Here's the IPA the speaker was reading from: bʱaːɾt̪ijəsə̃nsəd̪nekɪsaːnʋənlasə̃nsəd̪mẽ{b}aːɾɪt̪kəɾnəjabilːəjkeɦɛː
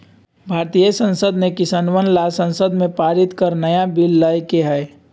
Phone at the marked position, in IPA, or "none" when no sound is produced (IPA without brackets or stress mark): p